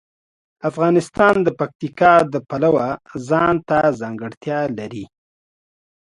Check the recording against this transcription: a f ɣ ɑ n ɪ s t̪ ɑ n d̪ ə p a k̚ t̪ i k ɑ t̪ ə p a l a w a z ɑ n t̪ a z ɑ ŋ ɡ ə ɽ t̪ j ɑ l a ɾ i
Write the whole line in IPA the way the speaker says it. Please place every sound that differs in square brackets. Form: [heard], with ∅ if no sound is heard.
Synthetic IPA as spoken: a f ɣ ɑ n ɪ s t̪ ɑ n d̪ ə p a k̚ t̪ i k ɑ [d̪] ə p a l a w a z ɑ n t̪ a z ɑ ŋ ɡ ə ɽ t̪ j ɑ l a ɾ i